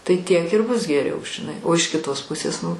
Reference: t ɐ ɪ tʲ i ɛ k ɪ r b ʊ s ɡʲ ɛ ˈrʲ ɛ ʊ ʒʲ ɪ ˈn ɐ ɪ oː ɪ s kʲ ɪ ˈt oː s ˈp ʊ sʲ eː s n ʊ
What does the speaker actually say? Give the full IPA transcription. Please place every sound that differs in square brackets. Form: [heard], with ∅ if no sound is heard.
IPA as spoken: t ɐ ɪ tʲ i ɛ k ɪ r b ʊ s ɡʲ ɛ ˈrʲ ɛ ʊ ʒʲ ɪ ˈn ɐ ɪ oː ɪ [ʃ] kʲ ɪ ˈt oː s ˈp ʊ sʲ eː s n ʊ